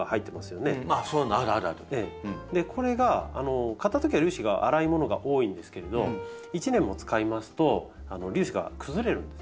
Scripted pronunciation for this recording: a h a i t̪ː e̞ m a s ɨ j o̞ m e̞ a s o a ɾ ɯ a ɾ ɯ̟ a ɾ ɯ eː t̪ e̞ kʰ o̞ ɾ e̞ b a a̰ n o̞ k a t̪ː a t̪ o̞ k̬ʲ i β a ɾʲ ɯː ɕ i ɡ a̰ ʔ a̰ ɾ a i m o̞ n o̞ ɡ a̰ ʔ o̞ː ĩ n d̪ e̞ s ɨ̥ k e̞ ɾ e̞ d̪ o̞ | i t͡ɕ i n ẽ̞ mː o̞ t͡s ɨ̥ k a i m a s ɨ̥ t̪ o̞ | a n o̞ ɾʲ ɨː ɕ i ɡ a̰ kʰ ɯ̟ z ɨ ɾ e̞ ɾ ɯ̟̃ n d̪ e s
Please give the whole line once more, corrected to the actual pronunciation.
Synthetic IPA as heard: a h a i t̪ː e̞ m a s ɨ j o̞ n e̞ a s o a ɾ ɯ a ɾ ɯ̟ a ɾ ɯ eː d̪ e̞ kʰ o̞ ɾ e̞ ɡ a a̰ n o̞ k a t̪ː a t̪ o̞ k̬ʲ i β a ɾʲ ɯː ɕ i ɡ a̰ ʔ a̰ ɾ a i m o̞ n o̞ ɡ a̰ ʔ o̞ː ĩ n d̪ e̞ s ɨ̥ k e̞ ɾ e̞ d̪ o̞ | i t͡ɕ i n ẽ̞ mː o̞ t͡s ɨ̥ k a i m a s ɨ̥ t̪ o̞ | a n o̞ ɾʲ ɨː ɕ i ɡ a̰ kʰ ɯ̟ z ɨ ɾ e̞ ɾ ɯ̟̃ n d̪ e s